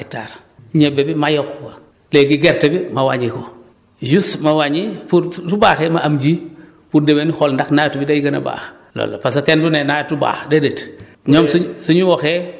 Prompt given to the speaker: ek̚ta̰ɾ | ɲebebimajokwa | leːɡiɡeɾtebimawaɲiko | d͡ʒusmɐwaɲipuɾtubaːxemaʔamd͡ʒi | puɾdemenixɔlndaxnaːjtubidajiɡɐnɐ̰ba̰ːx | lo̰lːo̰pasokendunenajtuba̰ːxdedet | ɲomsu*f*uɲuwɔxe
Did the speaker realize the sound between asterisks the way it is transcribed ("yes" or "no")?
no